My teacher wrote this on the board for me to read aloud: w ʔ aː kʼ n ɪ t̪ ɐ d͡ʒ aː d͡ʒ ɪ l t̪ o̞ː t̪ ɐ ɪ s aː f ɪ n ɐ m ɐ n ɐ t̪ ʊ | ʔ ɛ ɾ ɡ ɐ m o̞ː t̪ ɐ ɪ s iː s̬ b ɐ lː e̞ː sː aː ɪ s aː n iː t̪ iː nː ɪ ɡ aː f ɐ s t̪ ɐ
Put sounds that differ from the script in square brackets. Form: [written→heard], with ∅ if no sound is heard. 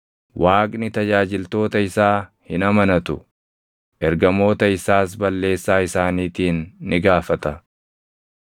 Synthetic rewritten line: w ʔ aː kʼ n ɪ t̪ ɐ d͡ʒ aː d͡ʒ ɪ l t̪ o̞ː t̪ ɐ ɪ s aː [f→h] ɪ n ɐ m ɐ n ɐ t̪ ʊ | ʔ ɛ ɾ ɡ ɐ m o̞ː t̪ ɐ ɪ s [iː→aː] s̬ b ɐ lː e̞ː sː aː ɪ s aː n iː t̪ iː nː ɪ ɡ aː f ɐ [s→∅] t̪ ɐ